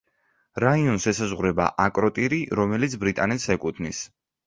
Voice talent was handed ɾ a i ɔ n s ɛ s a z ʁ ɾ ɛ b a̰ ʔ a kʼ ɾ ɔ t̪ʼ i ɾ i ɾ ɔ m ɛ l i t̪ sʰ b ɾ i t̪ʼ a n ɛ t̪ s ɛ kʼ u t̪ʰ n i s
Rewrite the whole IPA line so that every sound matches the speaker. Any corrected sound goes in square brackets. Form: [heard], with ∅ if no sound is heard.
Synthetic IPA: ɾ a i ɔ n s ɛ s a z ʁ ɾ ɛ b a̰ ʔ a kʼ ɾ ɔ t̪ʼ i ɾ i ɾ ɔ m ɛ l i t̪ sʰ b ɾ i t̪ʼ a n ɛ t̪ s ɛ kʼ u t̪ʰ n i s